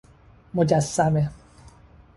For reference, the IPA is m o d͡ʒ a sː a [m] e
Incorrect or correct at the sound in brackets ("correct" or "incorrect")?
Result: correct